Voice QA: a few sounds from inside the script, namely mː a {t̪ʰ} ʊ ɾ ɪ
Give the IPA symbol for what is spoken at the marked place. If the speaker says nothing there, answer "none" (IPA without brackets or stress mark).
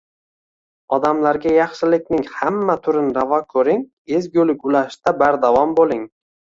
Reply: t̪ʰ